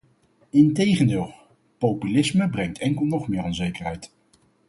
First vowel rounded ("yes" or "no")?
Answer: no